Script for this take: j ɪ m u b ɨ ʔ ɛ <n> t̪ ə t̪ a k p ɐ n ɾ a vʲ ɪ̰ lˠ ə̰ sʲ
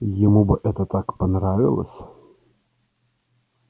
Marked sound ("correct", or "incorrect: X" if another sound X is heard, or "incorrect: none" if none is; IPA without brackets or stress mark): incorrect: none